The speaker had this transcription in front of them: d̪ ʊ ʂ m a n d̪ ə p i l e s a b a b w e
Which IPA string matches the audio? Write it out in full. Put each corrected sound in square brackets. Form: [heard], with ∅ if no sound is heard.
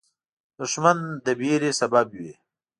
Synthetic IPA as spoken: d̪ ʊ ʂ m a n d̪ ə [b] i [ɾ] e s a b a b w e